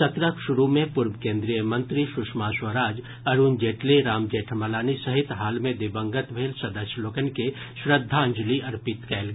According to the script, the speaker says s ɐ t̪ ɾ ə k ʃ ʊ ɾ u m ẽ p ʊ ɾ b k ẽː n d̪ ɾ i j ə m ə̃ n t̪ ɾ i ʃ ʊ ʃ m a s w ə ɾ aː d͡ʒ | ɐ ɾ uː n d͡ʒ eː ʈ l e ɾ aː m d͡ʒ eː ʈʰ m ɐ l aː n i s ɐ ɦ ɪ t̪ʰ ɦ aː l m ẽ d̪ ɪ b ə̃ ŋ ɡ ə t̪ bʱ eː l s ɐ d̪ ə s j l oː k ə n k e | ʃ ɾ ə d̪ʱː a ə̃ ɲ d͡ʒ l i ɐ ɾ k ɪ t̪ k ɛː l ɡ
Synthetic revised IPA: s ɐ t̪ ɾ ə k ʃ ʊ ɾ u m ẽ p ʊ ɾ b k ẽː n d̪ ɾ i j ə m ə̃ n t̪ ɾ i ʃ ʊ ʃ m a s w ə ɾ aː d͡ʒ | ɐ ɾ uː n d͡ʒ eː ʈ l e ɾ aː m d͡ʒ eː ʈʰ m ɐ l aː n i s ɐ ɦ ɪ t̪ ɦ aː l m ẽ d̪ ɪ b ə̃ ŋ ɡ ə t̪ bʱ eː l s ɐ d̪ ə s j l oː k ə n k e | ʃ ɾ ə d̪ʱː a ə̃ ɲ d͡ʒ l i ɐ ɾ p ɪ t̪ k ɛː l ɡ